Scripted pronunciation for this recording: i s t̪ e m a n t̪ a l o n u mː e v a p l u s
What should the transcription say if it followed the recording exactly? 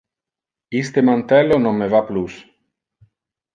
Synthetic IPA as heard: i s t̪ e m a n t̪ ɛ l o n o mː e v a p l u s